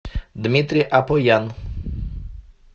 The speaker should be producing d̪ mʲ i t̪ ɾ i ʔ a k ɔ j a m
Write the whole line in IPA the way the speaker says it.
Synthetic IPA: d̪ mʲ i t̪ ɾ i ʔ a p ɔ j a n